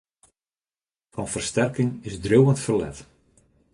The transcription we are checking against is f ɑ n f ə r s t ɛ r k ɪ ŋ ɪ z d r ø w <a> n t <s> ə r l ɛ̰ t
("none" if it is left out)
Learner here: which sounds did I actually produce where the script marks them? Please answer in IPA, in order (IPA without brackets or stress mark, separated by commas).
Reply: ə, f